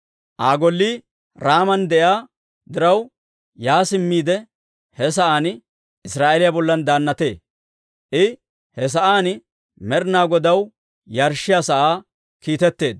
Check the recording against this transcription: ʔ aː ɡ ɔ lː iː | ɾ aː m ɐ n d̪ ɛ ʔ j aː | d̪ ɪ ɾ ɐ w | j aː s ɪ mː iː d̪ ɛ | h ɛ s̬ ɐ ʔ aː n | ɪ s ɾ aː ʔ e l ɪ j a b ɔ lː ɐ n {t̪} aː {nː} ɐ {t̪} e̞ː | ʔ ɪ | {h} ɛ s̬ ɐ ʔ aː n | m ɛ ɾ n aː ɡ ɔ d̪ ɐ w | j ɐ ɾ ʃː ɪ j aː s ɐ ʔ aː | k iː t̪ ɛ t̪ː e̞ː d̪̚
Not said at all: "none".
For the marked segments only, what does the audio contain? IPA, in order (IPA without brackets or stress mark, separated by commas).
d̪, nː, t̪, h